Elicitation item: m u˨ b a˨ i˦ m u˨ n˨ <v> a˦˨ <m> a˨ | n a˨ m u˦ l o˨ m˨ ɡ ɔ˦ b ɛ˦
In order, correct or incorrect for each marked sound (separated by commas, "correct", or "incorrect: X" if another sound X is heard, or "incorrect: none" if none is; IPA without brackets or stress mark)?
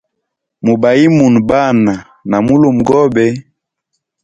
incorrect: b, incorrect: n